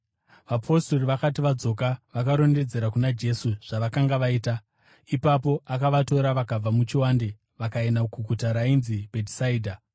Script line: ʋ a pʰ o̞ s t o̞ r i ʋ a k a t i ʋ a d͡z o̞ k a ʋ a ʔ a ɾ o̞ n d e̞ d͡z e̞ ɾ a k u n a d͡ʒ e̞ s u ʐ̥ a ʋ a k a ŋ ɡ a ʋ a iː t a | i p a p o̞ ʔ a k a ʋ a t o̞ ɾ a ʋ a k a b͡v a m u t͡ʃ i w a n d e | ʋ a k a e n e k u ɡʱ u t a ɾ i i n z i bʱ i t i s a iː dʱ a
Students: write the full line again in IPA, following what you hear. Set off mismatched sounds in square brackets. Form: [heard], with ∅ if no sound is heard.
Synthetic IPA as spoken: ʋ a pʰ o̞ s t o̞ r i ʋ a k a t i ʋ a d͡z o̞ k a ʋ a [k] a ɾ o̞ n d e̞ d͡z e̞ ɾ a k u n a d͡ʒ e̞ s u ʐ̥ a ʋ a k a ŋ ɡ a ʋ a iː t a | i p a p o̞ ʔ a k a ʋ a t o̞ ɾ a ʋ a k a b͡v a m u t͡ʃ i w a n d e | ʋ a k a e n [a] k u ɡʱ u t a ɾ [a] i n z i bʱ [e] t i s a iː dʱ a

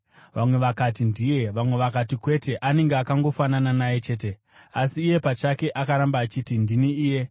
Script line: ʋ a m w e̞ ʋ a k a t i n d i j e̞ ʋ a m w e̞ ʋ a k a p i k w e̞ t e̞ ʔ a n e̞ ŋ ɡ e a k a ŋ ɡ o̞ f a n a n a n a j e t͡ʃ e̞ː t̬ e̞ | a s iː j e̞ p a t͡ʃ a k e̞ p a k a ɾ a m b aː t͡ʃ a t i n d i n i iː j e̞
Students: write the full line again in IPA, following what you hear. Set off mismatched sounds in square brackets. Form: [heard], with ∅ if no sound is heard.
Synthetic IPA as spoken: ʋ a m w e̞ ʋ a k a t i n d i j e̞ ʋ a m w e̞ ʋ a k a [t] i k w e̞ t e̞ ʔ a n e̞ ŋ ɡ e a k a ŋ ɡ o̞ f a n a n a n a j e t͡ʃ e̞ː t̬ e̞ | a s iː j e̞ p a t͡ʃ a k e̞ [ʔ] a k a ɾ a m b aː t͡ʃ [i] t i n d i n i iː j e̞

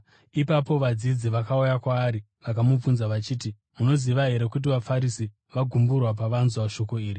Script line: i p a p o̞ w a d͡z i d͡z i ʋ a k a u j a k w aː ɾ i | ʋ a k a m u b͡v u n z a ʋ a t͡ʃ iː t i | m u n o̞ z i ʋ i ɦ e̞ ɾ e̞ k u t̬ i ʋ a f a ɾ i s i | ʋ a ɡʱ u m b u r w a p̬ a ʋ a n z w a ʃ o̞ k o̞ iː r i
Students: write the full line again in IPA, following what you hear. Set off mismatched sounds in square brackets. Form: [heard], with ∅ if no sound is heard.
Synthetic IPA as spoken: i p a p o̞ [ʋ] a d͡z i d͡z i ʋ a k a u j a k w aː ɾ i | ʋ a k a m u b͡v u n z a ʋ a t͡ʃ iː t i | m u n o̞ z i ʋ [a] ɦ e̞ ɾ e̞ k u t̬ i ʋ a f a ɾ i s i | ʋ a ɡʱ u m b u r w a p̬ a ʋ a n z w a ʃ o̞ k o̞ iː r i

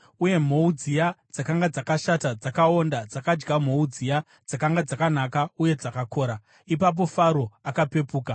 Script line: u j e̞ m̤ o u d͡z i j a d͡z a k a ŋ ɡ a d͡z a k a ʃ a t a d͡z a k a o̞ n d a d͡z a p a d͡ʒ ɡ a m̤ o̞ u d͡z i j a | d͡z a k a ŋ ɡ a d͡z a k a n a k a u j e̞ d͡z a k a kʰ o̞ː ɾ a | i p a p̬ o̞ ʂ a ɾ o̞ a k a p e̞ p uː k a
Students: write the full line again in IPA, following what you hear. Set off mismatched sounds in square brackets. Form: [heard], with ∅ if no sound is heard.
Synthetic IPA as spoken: u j e̞ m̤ o u d͡z i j a d͡z a k a ŋ ɡ a d͡z a k a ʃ a t a d͡z a k a o̞ n d a d͡z a [k] a d͡ʒ ɡ a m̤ o̞ u d͡z i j a | d͡z a k a ŋ ɡ a d͡z a k a n a k a u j e̞ d͡z a k a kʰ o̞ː ɾ a | i p a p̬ o̞ [f] a ɾ o̞ a k a p e̞ p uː k a

